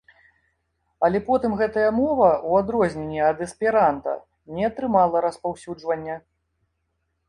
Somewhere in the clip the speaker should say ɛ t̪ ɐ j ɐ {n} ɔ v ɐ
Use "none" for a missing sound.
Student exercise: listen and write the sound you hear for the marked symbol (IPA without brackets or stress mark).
m